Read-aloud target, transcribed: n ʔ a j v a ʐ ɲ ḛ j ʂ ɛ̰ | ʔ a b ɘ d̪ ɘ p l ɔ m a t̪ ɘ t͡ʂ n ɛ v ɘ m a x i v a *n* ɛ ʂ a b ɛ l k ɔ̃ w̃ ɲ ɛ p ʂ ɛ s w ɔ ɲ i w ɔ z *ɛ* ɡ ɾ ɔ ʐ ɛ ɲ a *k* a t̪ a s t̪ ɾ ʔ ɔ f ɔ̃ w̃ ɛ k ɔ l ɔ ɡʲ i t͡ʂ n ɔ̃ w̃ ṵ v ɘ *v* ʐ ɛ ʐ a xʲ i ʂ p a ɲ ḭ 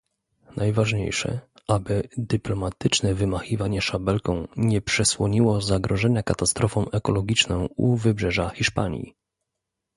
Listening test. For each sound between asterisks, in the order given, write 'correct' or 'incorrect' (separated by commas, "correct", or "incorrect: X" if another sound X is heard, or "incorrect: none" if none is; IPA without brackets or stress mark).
incorrect: ɲ, incorrect: a, correct, incorrect: b